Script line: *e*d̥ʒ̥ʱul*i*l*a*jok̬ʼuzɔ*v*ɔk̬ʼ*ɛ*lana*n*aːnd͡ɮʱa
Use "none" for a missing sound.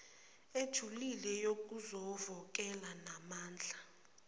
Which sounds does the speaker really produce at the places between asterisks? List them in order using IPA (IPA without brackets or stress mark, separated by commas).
e, i, ɛ, v, ɛ, m